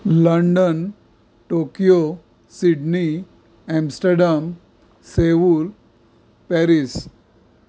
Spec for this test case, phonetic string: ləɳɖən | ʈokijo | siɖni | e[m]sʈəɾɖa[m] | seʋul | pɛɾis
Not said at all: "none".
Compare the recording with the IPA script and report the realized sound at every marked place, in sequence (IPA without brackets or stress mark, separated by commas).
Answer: m, m